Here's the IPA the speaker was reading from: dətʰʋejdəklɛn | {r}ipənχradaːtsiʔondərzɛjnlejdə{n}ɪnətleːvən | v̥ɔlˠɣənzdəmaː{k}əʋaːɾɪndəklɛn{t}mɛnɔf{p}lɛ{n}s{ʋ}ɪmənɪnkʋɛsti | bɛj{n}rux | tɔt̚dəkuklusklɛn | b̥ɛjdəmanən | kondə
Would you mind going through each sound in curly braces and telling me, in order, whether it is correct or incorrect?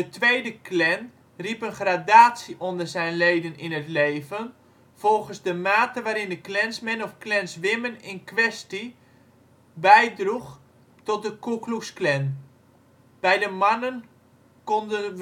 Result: correct, correct, incorrect: t, incorrect: s, incorrect: k, correct, correct, incorrect: d

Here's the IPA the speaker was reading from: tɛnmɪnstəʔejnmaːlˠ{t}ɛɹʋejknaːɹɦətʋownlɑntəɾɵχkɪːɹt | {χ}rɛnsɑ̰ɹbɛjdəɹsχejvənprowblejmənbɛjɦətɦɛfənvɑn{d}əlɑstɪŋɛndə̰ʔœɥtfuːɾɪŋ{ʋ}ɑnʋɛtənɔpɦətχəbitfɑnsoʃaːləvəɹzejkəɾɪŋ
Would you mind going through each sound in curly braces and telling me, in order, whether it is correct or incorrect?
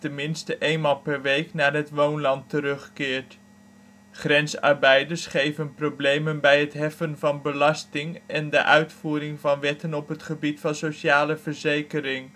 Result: incorrect: p, correct, incorrect: b, incorrect: v

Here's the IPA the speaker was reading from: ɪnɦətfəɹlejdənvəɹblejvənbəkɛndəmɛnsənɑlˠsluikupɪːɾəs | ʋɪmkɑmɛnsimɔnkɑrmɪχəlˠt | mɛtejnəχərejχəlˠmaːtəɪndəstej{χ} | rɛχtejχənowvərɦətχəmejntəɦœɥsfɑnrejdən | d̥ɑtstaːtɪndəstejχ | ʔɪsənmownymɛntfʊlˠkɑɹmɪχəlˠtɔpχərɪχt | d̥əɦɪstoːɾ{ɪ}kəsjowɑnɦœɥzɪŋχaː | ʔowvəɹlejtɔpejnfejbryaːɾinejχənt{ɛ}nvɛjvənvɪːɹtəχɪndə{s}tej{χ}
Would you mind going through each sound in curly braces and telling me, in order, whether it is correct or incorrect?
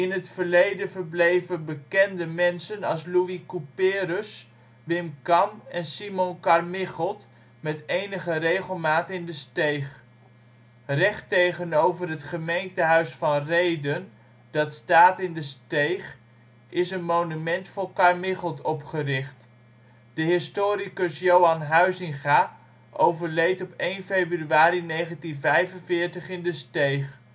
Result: correct, incorrect: i, incorrect: i, correct, correct

